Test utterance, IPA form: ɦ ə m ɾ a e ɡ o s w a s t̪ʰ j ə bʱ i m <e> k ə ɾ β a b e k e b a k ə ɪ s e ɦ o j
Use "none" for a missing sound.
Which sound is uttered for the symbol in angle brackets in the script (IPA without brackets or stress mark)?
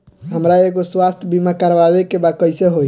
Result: a